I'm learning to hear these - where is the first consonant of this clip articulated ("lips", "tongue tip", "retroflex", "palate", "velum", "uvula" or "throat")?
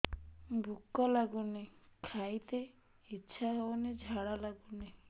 lips